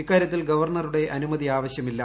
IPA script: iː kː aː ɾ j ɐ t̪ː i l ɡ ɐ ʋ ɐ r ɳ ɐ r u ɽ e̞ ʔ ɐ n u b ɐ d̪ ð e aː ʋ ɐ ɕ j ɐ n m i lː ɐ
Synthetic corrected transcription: i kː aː ɾ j ɐ t̪ː i l ɡ ɐ ʋ ɐ r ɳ ɐ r u ɽ e̞ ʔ ɐ n u m ɐ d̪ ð i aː ʋ ɐ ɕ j ɐ m i lː ɐ

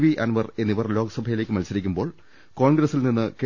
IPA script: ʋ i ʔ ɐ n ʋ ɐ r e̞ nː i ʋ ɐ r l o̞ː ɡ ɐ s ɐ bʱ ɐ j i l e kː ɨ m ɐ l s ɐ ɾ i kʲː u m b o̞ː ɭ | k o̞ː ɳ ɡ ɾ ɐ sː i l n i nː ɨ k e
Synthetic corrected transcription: ʋ i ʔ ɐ n ʋ ɐ r e̞ nː i ʋ ɐ r l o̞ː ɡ ɐ s ɐ bʱ ɐ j i l e kː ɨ m ɐ l s ɐ ɾ i kʲː u m b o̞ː ɭ | k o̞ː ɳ ɡ ɾ ɐ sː i l n i nː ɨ k e

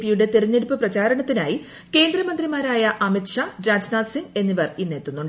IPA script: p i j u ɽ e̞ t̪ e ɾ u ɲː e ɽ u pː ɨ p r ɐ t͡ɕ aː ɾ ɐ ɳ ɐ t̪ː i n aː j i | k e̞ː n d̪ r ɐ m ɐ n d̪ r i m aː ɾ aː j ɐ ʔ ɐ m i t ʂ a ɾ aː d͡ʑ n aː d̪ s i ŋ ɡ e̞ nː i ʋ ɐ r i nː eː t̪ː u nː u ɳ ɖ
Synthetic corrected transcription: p i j u ɽ e̞ t̪ e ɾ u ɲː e ɽ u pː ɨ p r ɐ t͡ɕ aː ɾ ɐ ɳ ɐ t̪ː i n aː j i | k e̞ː n d̪ r ɐ m ɐ n d̪ r i m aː ɾ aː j ɐ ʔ ɐ m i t ʂ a ɾ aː d͡ʑ n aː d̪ s i ŋ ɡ e̞ nː i ʋ ɐ r i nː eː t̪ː u nː u ɳ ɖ

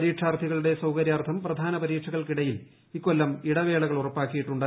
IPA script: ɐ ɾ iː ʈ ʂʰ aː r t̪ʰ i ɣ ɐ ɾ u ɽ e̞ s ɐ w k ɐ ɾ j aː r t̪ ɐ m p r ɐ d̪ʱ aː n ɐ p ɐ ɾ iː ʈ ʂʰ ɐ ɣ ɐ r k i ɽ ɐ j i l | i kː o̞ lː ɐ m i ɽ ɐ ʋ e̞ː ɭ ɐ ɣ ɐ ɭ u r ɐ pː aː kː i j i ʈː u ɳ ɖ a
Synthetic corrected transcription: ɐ ɾ iː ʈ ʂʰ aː r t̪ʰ i ɣ ɐ ɭ u ɽ e̞ s ɐ w k ɐ ɾ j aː r t̪ʰ ɐ m p r ɐ d̪ʱ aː n ɐ p ɐ ɾ iː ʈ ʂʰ ɐ ɣ ɐ ɭ k i ɽ ɐ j i l | i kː o̞ lː ɐ m i ɽ ɐ ʋ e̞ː ɭ ɐ ɣ ɐ ɭ u r ɐ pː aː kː i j i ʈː u ɳ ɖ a

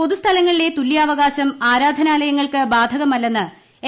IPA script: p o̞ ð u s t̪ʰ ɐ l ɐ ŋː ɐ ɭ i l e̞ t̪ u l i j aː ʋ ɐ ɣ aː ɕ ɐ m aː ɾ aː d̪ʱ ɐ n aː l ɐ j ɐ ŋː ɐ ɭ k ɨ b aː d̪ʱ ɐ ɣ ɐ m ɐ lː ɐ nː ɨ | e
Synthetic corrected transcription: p o̞ ð u s t̪ʰ ɐ l ɐ ŋː ɐ ɭ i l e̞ t̪ u l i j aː ʋ ɐ ɣ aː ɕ ɐ m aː ɾ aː d̪ʱ ɐ n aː l ɐ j ɐ ŋː ɐ ɭ k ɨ b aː d̪ʱ ɐ ɣ ɐ m ɐ lː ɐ nː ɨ | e

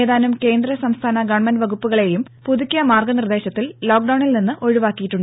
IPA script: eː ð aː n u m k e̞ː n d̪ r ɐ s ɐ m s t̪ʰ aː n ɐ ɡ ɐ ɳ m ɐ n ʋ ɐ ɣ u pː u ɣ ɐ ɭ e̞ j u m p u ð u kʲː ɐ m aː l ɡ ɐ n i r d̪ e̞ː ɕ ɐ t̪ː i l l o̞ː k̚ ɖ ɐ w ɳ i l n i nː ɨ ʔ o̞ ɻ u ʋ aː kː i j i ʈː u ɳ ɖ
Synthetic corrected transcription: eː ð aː n u m k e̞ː n d̪ r ɐ s ɐ m s t̪ʰ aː n ɐ ɡ ɐ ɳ m ɐ n ʋ ɐ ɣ u pː u ɣ ɐ ɭ e̞ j u m p u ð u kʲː ɐ m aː r ɡ ɐ n i r d̪ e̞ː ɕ ɐ t̪ː i l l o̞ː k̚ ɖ ɐ w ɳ i l n i nː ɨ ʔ o̞ ɻ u ʋ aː kː i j i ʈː u ɳ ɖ

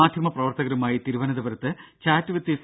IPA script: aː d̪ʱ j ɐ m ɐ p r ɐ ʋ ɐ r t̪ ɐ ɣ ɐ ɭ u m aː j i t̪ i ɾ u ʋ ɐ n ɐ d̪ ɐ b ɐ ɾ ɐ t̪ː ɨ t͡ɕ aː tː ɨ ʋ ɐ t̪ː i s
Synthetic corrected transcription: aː d̪ʱ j ɐ m ɐ p r ɐ ʋ ɐ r t̪ ɐ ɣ ɐ ɾ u m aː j i t̪ i ɾ u ʋ ɐ n ɐ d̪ ɐ b ɐ ɾ ɐ t̪ː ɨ t͡ɕ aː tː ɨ ʋ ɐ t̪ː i s

